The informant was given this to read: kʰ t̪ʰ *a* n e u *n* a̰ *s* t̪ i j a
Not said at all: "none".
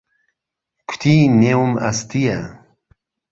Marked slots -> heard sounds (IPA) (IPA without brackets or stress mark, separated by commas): i, m, s